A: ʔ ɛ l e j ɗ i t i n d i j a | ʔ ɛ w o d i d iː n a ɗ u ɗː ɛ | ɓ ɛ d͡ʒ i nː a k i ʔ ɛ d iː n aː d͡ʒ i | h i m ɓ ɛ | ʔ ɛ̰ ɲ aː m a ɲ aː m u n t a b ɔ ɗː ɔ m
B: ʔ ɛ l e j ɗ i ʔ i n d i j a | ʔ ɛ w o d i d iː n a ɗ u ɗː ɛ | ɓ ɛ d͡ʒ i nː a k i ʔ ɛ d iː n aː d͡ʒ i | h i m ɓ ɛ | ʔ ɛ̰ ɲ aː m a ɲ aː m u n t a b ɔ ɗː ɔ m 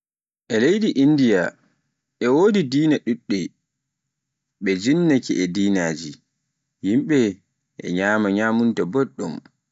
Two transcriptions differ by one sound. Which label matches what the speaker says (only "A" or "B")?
B